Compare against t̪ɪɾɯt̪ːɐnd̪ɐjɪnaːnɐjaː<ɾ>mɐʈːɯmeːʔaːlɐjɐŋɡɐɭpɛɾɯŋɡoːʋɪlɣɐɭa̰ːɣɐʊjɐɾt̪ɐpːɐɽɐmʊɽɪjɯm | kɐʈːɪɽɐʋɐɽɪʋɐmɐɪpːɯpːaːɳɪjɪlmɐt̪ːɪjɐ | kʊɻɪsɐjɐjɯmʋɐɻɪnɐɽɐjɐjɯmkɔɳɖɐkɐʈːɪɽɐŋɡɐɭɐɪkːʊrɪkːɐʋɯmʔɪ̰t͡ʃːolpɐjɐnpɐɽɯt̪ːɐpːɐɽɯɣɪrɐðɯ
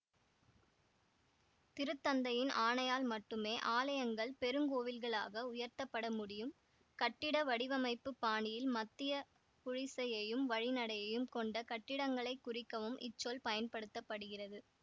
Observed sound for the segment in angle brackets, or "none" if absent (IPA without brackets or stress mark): l